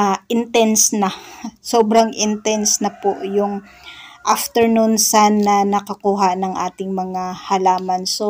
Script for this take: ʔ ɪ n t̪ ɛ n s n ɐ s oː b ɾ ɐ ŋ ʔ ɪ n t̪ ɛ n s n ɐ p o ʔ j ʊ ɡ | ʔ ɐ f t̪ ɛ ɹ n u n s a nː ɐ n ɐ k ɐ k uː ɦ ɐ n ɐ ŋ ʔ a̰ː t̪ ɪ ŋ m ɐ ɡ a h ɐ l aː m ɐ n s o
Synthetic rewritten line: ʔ ɪ n t̪ ɛ n s n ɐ s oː b ɾ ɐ ŋ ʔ ɪ n t̪ ɛ n s n ɐ p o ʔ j ʊ ŋ | ʔ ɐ f t̪ ɛ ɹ n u n s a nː ɐ n ɐ k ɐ k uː ɦ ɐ n ɐ ŋ ʔ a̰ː t̪ ɪ ŋ m ɐ ŋ a h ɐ l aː m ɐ n s o